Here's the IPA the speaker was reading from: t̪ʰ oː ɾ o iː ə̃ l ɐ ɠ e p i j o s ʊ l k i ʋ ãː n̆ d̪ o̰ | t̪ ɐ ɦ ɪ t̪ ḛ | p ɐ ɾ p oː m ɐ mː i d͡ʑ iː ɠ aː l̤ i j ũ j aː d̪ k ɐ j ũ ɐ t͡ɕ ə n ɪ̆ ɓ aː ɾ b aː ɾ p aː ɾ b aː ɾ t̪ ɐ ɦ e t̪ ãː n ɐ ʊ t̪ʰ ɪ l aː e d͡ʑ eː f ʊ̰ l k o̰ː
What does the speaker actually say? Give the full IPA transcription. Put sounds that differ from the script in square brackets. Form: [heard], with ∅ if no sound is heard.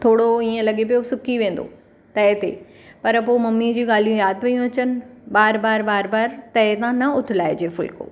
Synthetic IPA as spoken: t̪ʰ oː [ɽ] o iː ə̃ l ɐ ɠ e p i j o s ʊ [∅] k i ʋ [ẽː] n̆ d̪ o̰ | t̪ ɐ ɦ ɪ t̪ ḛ | p ɐ ɾ p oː m ɐ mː i d͡ʑ iː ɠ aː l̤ i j ũ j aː d̪ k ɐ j ũ ɐ t͡ɕ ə n ɪ̆ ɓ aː ɾ b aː ɾ [b] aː ɾ b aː ɾ t̪ ɐ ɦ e t̪ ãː n ɐ ʊ t̪ʰ ɪ l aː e d͡ʑ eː f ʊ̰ l k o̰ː